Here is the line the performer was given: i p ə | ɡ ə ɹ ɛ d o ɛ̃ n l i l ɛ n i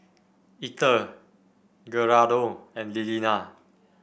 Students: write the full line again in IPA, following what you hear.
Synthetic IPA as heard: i t ə | ɡ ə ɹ a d o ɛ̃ n l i l i n a